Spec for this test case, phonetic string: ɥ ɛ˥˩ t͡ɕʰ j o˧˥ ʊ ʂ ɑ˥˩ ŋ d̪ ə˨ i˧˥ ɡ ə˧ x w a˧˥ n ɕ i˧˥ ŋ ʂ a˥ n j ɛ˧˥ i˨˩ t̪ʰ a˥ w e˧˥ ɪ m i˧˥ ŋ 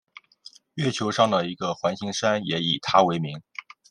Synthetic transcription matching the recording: ɥ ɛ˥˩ t͡ɕʰ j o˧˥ ʊ ʂ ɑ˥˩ ŋ d̪ ə˨ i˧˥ ɡ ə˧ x w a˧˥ n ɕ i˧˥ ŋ ʂ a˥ n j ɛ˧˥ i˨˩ t̪ʰ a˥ w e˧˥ ɪ m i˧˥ ŋ